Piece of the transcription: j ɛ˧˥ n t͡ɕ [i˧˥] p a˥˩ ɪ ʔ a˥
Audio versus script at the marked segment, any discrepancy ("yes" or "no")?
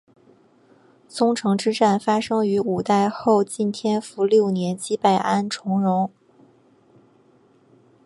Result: yes